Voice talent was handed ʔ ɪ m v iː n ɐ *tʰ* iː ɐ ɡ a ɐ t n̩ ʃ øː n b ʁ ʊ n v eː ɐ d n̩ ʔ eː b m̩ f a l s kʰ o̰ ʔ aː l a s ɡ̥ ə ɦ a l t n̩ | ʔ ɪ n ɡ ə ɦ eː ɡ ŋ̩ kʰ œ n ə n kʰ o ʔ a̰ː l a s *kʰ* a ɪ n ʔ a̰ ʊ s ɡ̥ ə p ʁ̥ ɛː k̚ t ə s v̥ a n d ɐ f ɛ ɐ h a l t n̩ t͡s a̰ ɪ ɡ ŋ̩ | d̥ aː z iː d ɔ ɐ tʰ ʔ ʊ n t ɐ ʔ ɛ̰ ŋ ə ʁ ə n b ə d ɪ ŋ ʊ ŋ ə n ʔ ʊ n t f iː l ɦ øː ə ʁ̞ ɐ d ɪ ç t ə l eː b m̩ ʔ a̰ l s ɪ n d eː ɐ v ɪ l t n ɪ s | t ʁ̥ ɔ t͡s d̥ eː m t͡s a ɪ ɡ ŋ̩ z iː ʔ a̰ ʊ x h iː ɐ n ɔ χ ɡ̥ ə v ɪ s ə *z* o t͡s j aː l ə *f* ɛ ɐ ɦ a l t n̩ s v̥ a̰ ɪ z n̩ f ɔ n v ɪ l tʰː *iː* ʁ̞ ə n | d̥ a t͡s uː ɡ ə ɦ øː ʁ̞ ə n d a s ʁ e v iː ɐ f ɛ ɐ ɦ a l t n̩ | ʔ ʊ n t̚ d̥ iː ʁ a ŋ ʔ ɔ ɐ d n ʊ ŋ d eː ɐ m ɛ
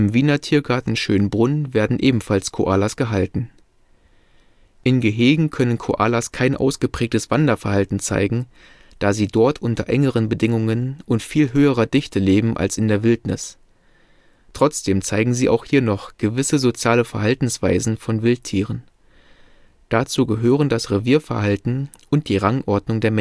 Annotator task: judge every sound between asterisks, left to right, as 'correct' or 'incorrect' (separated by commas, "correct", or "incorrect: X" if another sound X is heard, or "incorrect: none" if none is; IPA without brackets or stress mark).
correct, correct, correct, correct, correct